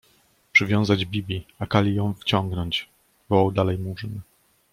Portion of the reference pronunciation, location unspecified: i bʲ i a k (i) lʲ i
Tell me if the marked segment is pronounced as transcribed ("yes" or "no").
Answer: no